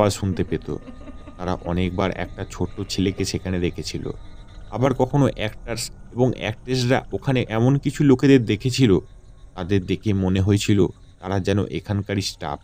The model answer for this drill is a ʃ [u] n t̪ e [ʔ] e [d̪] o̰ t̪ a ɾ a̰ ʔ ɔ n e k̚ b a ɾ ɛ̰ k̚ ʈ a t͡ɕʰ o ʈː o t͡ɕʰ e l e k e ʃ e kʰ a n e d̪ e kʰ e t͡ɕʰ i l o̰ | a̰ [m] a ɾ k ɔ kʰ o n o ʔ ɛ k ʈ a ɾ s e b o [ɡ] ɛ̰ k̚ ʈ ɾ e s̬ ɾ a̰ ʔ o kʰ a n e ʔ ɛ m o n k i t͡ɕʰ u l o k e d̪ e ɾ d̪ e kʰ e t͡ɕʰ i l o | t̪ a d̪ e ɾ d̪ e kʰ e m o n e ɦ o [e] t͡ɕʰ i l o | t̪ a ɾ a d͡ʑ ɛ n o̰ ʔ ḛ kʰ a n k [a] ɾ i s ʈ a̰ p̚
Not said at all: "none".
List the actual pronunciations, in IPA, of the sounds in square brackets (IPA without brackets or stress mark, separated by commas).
u, p, t̪, b, ŋ, e, a